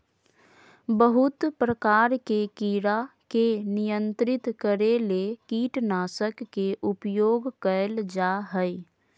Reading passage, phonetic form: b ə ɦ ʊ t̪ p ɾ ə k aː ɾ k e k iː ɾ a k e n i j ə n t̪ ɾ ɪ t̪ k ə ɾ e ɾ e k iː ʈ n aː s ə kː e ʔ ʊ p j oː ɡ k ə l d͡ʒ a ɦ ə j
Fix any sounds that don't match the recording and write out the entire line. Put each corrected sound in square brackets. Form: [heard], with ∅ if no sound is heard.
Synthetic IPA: b ə ɦ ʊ t̪ p ɾ ə k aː ɾ k e k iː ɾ a k e n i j ə n t̪ ɾ ɪ t̪ k ə ɾ e [l] e k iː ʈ n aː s ə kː e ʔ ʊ p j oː ɡ k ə l d͡ʒ a ɦ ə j